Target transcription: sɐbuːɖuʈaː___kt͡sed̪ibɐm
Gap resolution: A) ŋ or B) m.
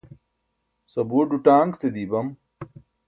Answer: A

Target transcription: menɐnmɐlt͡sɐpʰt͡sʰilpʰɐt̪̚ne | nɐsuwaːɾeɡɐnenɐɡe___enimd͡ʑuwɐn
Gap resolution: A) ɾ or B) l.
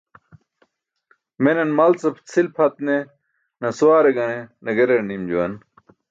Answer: A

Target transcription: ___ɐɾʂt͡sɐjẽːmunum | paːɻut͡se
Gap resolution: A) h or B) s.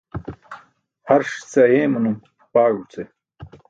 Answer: A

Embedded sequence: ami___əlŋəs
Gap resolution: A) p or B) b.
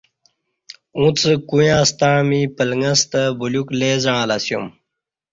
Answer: A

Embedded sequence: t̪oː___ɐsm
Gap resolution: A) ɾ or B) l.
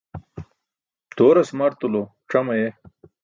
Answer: A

